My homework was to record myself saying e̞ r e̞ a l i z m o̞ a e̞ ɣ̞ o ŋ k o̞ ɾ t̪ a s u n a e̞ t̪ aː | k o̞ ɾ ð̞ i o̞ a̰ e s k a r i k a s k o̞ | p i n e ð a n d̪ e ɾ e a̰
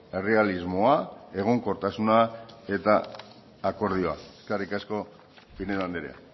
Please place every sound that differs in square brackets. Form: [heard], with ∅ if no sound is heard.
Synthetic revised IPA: e̞ r e̞ a l i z m o̞ a e̞ ɣ̞ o ŋ k o̞ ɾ t̪ a s u n a e̞ t̪ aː | k o̞ ɾ ð̞ i o̞ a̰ e s k a r i k a s k o̞ | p i n e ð a n d̪ e ɾ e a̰